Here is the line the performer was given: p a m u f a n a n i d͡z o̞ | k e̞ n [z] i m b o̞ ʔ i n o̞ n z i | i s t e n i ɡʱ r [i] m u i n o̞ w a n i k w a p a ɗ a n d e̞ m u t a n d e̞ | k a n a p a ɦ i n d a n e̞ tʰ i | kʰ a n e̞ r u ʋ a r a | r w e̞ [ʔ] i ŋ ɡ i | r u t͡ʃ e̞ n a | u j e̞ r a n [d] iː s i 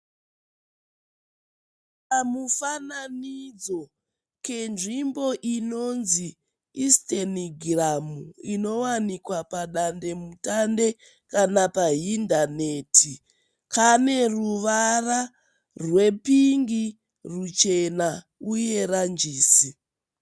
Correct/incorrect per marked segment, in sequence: incorrect: ʐ, incorrect: a, incorrect: p, incorrect: d͡ʒ

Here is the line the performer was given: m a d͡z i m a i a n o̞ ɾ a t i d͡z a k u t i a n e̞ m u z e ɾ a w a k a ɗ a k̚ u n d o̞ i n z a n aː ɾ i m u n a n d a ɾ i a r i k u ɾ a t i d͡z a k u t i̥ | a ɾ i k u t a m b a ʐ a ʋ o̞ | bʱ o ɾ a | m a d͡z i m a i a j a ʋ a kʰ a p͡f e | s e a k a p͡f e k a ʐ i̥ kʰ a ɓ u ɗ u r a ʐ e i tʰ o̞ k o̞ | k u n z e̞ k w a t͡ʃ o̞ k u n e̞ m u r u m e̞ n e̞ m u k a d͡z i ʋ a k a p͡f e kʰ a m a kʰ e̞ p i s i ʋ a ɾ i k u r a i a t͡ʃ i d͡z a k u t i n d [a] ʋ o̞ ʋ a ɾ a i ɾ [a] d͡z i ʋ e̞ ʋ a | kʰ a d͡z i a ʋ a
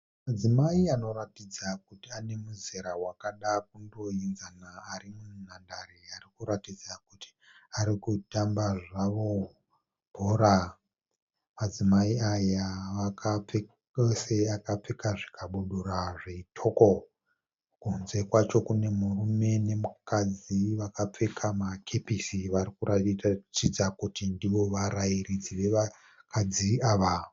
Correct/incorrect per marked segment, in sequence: incorrect: i, incorrect: i

